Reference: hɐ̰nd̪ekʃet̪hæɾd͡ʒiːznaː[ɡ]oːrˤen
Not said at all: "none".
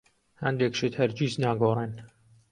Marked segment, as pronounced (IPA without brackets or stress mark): ɡ